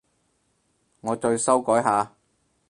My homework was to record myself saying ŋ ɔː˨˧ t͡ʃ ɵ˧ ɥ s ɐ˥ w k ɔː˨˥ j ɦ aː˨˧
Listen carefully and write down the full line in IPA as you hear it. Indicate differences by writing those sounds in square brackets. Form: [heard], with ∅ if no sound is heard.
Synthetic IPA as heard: ŋ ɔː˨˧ t͡ʃ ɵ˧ ɥ s ɐ˥ w k ɔː˨˥ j ɦ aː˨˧

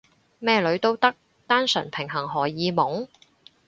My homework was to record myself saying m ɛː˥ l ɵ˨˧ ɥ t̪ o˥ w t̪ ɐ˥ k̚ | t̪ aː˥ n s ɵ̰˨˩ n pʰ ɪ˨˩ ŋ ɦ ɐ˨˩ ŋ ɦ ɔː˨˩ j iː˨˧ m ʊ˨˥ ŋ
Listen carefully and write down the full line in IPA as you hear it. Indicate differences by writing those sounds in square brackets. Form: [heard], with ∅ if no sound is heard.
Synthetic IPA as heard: m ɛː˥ l ɵ˨˧ ɥ t̪ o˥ w t̪ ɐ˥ k̚ | t̪ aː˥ n s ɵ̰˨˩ n pʰ ɪ˨˩ ŋ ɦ ɐ˨˩ ŋ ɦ ɔː˨˩ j iː˨˧ m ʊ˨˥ ŋ

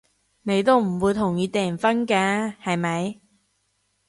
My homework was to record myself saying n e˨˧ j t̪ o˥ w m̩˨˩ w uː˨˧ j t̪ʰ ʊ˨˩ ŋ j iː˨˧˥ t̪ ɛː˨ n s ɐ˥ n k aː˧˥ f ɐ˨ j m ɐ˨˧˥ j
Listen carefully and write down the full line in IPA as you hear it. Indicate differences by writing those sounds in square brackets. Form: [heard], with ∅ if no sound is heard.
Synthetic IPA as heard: n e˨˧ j t̪ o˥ w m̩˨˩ w uː˨˧ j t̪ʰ ʊ˨˩ ŋ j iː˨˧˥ t̪ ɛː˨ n [f] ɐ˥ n k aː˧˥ [h] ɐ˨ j m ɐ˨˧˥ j

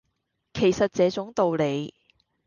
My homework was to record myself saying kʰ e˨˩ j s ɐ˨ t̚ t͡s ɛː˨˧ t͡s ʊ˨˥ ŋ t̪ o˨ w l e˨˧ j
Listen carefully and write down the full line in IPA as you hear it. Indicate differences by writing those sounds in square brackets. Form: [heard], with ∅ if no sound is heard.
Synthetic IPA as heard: kʰ e˨˩ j s ɐ˨ t̚ t͡s ɛː˨˧ t͡s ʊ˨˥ ŋ t̪ o˨ w l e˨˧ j

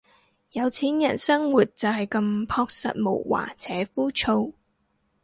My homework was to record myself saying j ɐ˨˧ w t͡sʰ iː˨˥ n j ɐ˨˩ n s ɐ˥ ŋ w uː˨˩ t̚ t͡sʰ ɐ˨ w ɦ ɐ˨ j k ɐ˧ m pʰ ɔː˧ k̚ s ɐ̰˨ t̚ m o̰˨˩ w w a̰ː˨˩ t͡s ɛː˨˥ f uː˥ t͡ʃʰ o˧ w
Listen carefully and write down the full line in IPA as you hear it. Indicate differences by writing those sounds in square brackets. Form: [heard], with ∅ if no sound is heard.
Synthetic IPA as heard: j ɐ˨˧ w t͡sʰ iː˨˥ n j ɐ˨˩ n s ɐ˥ ŋ w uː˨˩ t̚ [t͡s] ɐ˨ w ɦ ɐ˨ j k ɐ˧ m pʰ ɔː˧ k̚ s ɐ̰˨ t̚ m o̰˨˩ w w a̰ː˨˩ [t͡sʰ] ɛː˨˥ f uː˥ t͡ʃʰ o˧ w

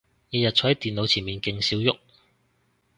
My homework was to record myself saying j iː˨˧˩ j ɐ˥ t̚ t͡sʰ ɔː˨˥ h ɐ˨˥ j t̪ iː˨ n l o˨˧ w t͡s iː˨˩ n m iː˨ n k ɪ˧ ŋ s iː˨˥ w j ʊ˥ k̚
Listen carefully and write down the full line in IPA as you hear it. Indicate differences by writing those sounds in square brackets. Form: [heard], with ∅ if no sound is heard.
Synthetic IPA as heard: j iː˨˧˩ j [ɐ˨] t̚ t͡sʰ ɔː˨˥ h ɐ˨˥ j t̪ iː˨ n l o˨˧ w [t͡sʰ] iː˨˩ n m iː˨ n k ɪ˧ ŋ s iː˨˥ w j ʊ˥ k̚

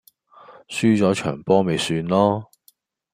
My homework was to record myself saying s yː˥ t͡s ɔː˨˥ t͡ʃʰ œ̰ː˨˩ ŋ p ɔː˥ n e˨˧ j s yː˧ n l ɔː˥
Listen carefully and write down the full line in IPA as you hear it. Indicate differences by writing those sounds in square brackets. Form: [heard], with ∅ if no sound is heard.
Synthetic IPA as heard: s yː˥ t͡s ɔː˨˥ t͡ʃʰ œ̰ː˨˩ ŋ p ɔː˥ [m] e˨˧ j s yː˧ n l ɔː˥

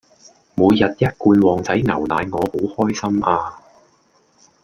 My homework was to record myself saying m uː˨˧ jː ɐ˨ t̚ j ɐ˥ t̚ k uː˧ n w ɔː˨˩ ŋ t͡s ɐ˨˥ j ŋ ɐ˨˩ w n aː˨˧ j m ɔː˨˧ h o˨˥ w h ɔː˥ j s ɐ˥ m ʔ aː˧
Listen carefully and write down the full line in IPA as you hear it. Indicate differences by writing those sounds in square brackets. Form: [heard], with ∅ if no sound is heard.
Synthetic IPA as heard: m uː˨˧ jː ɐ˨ t̚ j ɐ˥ t̚ k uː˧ n w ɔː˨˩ ŋ t͡s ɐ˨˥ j ŋ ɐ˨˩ w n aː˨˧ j [ŋ] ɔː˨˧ h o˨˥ w h ɔː˥ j s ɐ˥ m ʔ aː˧

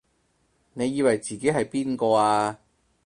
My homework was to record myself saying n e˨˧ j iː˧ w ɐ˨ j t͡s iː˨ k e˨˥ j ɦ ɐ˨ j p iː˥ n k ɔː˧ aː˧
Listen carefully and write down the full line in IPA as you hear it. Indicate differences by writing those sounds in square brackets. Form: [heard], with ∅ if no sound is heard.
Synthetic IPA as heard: n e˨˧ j iː˧ w ɐ˨ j t͡s iː˨ k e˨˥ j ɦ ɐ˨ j p iː˥ n k ɔː˧ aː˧

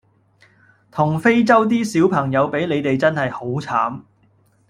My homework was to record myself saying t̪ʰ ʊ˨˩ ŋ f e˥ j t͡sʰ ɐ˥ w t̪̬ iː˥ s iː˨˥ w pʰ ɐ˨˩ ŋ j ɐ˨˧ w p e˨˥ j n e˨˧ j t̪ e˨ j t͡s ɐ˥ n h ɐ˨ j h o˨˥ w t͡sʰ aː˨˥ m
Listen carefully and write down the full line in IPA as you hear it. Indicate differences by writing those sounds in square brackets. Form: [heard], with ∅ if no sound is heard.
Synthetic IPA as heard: t̪ʰ ʊ˨˩ ŋ f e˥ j [t͡s] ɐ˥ w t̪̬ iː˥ s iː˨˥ w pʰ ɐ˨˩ ŋ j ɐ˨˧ w p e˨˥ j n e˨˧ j t̪ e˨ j t͡s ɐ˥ n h ɐ˨ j h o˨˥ w t͡sʰ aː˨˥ m

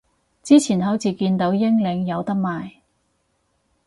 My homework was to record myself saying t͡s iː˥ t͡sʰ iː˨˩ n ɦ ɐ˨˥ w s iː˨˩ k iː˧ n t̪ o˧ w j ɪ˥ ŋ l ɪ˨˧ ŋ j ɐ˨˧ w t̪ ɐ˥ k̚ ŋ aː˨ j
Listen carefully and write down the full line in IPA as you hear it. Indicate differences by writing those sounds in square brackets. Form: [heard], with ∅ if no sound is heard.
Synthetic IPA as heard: t͡s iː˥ t͡sʰ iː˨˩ n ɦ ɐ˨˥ w [t͡s] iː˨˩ k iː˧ n t̪ [o˨˥] w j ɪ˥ ŋ l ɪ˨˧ ŋ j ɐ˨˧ w t̪ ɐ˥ k̚ [m] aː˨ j

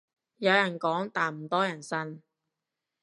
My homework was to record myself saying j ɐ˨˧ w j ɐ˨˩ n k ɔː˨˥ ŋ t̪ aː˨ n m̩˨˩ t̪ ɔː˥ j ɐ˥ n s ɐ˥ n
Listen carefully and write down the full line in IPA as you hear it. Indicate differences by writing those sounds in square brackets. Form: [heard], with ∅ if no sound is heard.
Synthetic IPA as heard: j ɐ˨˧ w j ɐ˨˩ n k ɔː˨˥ ŋ t̪ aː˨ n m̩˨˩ t̪ ɔː˥ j [ɐ˨˩] n s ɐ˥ n

